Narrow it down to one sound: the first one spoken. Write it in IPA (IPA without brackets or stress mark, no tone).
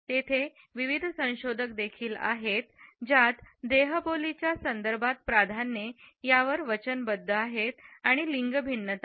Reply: t̪